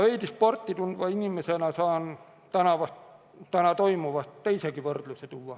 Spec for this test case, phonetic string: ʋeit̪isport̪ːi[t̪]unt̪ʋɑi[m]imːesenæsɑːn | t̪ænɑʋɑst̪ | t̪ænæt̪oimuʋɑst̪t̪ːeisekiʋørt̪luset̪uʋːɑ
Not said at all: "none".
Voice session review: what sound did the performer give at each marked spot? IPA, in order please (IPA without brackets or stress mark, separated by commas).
t̪, n